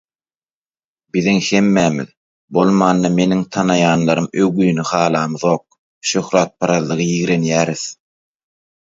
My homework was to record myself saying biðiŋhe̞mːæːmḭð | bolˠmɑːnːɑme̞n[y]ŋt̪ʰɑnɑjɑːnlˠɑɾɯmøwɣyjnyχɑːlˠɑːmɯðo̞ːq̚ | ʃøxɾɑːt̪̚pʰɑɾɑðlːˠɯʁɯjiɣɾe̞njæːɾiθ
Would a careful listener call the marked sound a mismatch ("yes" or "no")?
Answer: yes